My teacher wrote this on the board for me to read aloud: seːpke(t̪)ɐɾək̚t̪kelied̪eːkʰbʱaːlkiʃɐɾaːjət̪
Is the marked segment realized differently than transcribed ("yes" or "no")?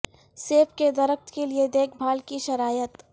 yes